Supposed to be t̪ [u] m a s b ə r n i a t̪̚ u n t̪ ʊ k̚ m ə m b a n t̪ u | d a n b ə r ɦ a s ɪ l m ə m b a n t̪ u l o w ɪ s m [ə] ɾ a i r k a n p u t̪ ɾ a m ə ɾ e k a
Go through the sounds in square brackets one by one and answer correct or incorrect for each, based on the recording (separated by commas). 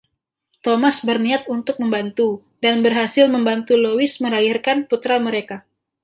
incorrect, correct